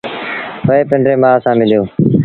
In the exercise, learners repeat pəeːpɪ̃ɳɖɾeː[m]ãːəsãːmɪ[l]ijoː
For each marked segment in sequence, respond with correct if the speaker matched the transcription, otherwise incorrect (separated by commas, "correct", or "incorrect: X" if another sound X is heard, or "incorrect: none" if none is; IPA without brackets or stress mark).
correct, correct